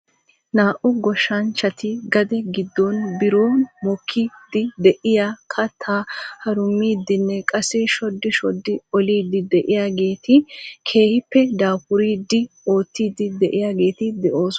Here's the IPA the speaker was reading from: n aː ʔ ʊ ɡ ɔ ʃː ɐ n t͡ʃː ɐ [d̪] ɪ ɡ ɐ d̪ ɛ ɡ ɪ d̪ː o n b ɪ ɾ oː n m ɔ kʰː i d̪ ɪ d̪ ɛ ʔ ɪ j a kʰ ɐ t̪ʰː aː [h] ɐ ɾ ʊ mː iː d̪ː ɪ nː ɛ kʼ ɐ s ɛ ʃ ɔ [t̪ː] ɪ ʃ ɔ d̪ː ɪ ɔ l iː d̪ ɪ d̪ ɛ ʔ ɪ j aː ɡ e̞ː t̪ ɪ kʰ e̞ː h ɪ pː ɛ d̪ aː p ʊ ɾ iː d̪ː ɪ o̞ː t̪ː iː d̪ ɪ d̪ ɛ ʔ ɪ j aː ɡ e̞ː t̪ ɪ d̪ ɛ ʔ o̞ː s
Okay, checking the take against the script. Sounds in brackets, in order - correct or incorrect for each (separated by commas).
incorrect, correct, incorrect